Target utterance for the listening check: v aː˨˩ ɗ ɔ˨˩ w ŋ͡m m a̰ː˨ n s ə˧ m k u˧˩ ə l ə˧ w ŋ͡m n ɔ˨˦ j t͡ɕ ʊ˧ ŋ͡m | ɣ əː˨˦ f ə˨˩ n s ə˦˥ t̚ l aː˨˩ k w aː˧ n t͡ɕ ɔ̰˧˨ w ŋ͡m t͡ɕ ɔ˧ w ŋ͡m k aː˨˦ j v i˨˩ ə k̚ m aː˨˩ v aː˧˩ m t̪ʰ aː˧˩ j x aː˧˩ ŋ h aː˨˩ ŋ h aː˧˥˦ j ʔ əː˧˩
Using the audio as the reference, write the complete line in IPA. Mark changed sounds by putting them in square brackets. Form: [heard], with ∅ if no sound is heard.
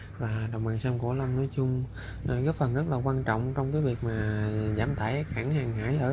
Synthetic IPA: v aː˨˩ ɗ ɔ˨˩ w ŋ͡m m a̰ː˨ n s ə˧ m k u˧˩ ə l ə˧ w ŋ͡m n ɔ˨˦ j t͡ɕ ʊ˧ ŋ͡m | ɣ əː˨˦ f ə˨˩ n [z] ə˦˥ t̚ l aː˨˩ k w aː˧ n t͡ɕ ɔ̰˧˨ w ŋ͡m t͡ɕ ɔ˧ w ŋ͡m k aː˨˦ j v i˨˩ ə k̚ m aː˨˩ [z] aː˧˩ m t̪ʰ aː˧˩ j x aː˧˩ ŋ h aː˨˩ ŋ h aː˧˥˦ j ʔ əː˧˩